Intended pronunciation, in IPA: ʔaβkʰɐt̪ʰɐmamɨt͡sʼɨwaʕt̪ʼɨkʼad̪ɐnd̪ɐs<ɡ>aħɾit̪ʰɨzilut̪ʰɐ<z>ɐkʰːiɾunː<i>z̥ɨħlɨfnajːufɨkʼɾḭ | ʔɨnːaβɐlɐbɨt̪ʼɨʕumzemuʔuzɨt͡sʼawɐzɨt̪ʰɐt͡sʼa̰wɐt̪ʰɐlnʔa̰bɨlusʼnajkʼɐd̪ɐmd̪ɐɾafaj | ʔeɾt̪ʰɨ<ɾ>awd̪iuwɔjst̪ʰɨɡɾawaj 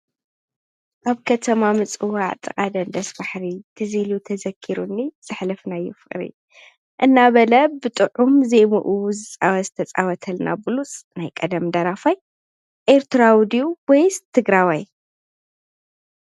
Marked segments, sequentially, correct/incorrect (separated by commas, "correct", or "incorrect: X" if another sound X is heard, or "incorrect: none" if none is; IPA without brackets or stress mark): incorrect: b, correct, correct, correct